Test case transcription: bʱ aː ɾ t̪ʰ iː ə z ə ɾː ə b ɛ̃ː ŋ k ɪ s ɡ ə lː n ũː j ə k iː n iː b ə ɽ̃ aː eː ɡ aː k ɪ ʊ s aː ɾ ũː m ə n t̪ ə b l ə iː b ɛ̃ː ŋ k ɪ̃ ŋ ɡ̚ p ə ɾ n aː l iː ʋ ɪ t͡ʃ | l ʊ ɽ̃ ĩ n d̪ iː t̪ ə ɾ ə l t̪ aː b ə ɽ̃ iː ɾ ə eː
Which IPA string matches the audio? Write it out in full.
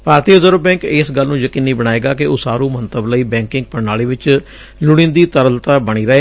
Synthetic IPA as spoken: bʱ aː ɾ t̪ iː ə z ə ɾ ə b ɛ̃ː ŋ k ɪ s ɡ ə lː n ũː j ə k iː n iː b ə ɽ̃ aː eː ɡ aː k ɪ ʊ s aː ɾ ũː m ə n t̪ ə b l ə iː b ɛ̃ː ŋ k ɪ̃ ŋ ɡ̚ p ə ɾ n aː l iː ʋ ɪ t͡ʃ | l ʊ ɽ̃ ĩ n d̪ iː t̪ ə ɾ ə l t̪ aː b ə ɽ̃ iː ɾ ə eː